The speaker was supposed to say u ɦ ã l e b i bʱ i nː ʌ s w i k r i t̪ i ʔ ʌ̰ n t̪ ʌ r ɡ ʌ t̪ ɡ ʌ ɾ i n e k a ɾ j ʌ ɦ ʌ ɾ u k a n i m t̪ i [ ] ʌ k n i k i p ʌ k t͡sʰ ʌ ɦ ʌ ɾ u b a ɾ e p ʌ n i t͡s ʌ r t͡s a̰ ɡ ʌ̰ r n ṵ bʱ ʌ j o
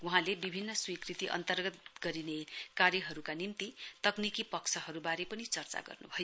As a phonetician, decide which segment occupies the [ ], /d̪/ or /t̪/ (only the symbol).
t̪